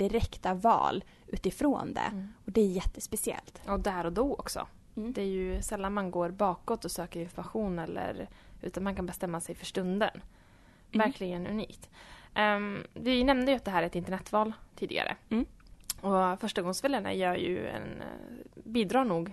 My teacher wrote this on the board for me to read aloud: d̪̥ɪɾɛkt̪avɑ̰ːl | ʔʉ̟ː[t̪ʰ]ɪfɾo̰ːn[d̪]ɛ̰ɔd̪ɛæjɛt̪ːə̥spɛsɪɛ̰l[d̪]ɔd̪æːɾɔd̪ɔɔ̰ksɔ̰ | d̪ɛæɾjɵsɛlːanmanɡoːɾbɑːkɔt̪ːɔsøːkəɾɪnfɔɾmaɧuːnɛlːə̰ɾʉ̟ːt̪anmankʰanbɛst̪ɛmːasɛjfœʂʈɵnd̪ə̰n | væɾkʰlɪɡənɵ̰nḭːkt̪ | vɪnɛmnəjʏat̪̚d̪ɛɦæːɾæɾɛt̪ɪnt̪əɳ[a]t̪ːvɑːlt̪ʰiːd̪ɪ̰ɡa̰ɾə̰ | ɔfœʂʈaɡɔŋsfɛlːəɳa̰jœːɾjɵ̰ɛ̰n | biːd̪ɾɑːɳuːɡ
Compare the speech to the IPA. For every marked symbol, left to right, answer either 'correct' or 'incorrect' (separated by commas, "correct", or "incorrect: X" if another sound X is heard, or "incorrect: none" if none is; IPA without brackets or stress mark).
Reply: incorrect: t̪, correct, incorrect: t̪, incorrect: ɛ